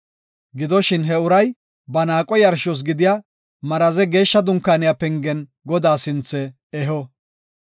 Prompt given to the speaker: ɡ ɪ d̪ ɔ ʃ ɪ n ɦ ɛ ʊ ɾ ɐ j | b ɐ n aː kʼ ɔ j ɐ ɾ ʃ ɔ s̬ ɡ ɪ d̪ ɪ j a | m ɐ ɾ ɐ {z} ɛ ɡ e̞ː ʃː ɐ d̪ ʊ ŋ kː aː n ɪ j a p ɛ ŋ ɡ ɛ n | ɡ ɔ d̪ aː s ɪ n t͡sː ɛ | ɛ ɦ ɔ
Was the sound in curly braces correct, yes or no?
yes